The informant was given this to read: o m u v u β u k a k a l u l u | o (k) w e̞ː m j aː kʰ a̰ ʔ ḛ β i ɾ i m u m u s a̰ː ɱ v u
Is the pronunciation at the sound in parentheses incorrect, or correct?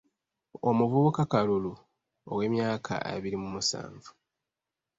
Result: incorrect